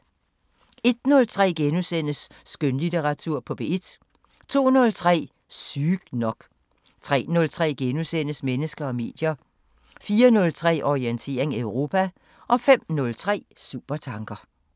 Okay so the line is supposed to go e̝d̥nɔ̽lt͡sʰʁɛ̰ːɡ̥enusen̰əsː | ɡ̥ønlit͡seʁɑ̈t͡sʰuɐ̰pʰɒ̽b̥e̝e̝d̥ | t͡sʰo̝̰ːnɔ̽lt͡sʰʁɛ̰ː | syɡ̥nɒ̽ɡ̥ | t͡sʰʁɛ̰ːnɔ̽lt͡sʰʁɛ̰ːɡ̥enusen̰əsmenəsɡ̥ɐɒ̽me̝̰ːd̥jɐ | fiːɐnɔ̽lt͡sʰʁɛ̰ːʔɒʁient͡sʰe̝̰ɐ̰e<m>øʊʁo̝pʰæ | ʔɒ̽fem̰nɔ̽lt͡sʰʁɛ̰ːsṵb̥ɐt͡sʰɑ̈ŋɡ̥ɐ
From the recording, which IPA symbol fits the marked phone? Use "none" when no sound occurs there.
ŋ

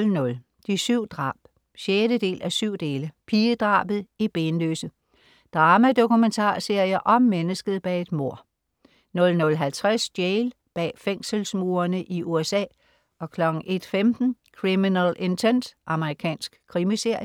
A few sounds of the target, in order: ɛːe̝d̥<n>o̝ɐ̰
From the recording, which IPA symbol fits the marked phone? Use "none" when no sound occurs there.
m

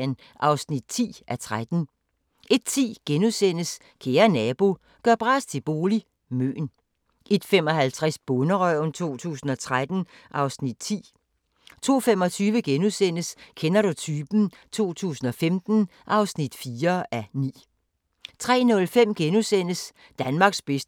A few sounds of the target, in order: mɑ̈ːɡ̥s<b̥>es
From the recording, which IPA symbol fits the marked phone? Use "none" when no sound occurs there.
b̥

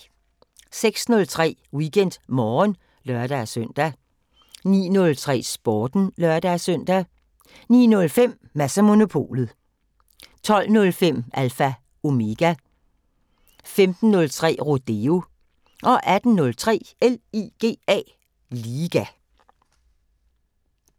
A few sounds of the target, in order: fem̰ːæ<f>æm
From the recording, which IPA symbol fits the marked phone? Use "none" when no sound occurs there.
s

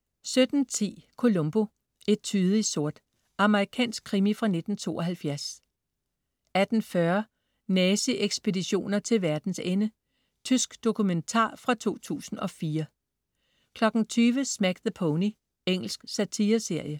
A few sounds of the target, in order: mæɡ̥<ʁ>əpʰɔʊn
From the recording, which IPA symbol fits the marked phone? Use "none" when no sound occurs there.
ð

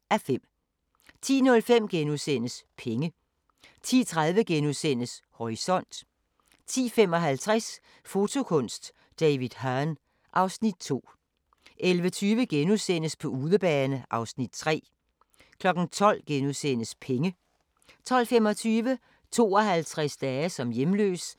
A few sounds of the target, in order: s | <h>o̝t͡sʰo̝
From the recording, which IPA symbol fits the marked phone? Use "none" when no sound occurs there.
f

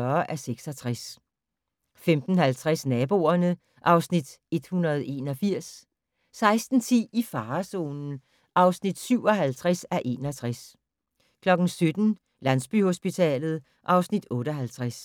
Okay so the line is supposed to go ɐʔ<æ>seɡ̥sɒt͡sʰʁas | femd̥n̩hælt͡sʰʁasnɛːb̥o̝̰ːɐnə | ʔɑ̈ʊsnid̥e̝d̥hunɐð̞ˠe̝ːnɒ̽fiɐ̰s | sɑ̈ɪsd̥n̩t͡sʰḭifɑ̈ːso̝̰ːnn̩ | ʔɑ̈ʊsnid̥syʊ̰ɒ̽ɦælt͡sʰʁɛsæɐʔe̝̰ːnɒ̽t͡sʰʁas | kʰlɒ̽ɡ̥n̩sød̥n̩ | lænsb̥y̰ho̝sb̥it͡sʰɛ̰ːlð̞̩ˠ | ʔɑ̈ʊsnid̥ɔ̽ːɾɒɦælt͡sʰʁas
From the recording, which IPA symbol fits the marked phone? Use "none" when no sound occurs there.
æ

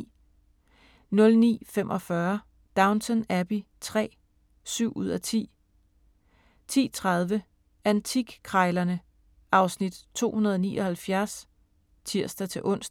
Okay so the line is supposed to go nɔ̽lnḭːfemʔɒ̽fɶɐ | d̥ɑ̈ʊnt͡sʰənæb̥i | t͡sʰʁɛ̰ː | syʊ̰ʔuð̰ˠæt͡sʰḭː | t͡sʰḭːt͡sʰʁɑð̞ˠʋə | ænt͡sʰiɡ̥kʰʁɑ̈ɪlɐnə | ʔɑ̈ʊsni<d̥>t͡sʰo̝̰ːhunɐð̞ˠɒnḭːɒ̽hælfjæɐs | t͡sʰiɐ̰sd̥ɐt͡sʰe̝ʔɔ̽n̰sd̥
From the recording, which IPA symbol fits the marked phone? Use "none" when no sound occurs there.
d̥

